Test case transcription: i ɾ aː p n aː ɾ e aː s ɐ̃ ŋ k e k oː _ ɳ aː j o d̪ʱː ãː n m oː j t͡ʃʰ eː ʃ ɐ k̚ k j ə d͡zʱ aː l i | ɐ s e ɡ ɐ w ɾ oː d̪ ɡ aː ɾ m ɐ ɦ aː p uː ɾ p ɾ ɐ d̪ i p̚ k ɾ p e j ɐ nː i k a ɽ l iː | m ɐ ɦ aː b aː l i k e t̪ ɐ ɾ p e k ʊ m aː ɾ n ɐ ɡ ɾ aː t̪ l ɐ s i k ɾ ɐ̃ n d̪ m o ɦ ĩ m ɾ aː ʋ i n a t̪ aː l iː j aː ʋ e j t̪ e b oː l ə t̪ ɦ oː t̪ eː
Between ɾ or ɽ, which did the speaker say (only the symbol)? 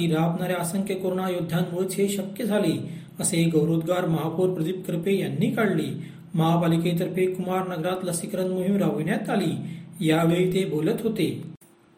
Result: ɾ